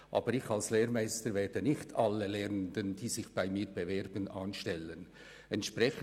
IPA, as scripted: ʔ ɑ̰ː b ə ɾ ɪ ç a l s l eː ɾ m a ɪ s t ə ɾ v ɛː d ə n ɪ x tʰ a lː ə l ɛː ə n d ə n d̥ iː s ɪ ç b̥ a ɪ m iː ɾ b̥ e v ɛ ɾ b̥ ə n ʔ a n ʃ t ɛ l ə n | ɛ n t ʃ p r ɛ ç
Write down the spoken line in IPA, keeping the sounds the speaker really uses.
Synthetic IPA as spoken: ʔ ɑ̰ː b ə ɾ ɪ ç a l s l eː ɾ m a ɪ s t ə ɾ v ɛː d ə n ɪ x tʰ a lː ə l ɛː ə n d ə n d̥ iː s ɪ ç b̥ a ɪ m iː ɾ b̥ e v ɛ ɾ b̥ ə n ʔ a n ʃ t ɛ l ə n | ɛ n t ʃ p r ɛ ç